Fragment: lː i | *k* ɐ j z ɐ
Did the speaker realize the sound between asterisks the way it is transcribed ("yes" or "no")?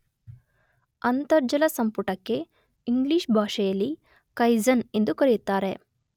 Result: yes